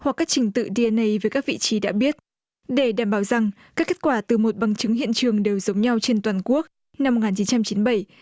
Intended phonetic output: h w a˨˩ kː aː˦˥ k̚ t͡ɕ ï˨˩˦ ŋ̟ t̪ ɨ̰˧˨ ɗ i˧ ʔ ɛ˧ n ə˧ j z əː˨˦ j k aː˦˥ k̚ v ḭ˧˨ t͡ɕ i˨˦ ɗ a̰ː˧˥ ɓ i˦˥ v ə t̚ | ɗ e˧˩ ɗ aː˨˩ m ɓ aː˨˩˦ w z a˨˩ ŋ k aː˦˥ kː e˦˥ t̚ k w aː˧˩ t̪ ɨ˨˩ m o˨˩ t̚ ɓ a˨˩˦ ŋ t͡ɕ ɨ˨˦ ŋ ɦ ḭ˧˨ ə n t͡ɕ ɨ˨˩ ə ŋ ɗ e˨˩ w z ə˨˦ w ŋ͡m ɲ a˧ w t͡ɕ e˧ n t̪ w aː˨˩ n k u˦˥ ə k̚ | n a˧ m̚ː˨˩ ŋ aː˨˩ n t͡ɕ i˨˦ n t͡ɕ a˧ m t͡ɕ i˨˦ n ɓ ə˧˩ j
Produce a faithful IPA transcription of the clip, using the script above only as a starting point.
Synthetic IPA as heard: h w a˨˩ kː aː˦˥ k̚ t͡ɕ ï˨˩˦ ŋ̟ t̪ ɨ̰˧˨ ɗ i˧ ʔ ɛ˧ n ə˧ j v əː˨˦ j k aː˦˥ k̚ v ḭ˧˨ t͡ɕ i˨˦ ɗ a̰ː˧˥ ɓ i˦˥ ə t̚ | ɗ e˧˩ ɗ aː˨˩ m ɓ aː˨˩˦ w z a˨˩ ŋ k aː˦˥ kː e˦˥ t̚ k w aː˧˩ t̪ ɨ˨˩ m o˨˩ t̚ ɓ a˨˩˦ ŋ t͡ɕ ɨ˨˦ ŋ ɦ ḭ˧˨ ə n t͡ɕ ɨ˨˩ ə ŋ ɗ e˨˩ w z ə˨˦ w ŋ͡m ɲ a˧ w t͡ɕ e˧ n t̪ w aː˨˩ n k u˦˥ ə k̚ | n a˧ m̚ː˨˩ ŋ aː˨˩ n t͡ɕ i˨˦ n t͡ɕ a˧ m t͡ɕ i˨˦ n ɓ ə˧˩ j